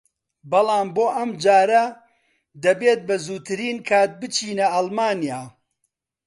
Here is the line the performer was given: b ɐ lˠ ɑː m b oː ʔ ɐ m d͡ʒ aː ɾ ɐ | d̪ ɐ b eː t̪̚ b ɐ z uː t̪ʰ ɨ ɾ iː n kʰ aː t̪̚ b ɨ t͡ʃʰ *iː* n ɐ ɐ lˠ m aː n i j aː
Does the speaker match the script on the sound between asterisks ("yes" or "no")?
yes